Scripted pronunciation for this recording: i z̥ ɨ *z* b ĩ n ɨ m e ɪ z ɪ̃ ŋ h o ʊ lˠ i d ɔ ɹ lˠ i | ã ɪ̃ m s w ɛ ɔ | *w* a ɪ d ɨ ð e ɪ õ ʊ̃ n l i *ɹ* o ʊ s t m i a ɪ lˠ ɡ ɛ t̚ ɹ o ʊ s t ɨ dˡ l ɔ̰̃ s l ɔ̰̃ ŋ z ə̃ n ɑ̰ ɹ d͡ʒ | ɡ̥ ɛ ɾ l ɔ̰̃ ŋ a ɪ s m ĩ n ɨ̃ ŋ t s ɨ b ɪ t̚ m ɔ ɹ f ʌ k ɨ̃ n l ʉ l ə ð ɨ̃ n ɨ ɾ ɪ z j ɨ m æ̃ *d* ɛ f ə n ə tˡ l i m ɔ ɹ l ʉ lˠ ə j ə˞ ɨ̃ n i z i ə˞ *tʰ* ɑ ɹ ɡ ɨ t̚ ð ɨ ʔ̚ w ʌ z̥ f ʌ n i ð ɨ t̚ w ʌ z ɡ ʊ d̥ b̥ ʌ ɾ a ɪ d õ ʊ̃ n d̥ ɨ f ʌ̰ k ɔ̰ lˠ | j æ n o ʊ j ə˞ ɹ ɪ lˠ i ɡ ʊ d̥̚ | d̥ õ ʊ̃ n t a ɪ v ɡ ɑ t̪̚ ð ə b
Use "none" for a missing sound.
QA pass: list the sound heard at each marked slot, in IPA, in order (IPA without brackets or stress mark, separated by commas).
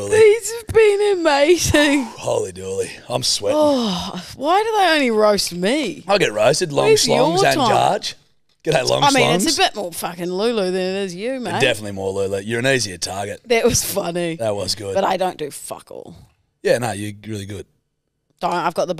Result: v, w, ɹ, d, tʰ